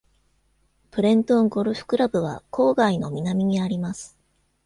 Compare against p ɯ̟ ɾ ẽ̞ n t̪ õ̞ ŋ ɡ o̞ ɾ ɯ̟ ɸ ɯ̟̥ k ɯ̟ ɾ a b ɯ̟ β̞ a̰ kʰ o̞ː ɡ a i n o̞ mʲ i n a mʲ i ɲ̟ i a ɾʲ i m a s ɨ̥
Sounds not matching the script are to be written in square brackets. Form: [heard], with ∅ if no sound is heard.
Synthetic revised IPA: p ɯ̟ ɾ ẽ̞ n t̪ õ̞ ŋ ɡ o̞ ɾ ɯ̟ ɸ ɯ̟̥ k ɯ̟ ɾ a b ɯ̟ β̞ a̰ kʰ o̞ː ɡ a i n o̞ mʲ i n a mʲ i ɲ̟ i a ɾʲ i m a s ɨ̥